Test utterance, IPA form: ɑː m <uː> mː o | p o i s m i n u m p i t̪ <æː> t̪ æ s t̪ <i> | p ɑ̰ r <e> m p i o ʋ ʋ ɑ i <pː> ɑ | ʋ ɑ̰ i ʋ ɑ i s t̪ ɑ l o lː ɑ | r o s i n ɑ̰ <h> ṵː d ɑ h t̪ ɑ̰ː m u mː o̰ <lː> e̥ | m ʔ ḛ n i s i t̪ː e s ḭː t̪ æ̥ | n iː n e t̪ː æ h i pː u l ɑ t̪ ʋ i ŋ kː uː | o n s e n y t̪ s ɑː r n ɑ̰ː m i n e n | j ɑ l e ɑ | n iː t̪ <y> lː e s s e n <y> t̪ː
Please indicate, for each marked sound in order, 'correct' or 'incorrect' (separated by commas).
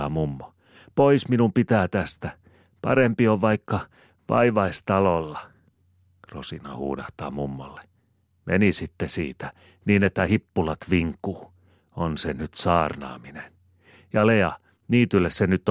incorrect, correct, incorrect, correct, incorrect, correct, correct, correct, correct